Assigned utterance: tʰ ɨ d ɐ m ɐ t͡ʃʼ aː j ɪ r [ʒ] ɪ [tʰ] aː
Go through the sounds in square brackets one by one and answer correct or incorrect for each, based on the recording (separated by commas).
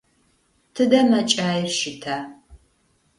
incorrect, correct